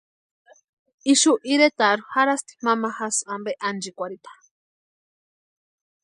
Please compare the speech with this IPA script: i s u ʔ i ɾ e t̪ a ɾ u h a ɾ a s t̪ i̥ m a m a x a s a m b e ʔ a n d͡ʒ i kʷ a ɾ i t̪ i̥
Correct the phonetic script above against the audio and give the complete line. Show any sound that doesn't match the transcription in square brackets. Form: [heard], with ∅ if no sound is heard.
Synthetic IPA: i [ʃ] u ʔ i ɾ e t̪ a ɾ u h a ɾ a s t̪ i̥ m a m a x a s a m b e ʔ a n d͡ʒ i kʷ a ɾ i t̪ [ḁ]